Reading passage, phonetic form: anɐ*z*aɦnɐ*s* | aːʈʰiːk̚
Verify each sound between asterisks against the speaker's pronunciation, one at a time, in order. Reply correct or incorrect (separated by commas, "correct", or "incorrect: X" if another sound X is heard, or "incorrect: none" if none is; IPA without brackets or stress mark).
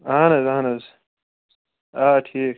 correct, incorrect: z